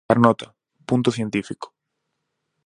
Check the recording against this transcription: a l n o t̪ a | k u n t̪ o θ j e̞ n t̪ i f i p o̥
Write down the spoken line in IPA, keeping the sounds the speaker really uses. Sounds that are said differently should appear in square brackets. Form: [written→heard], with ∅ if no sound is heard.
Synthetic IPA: a [l→ɾ] n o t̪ a | [k→p] u n t̪ o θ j e̞ n t̪ i f i [p→k] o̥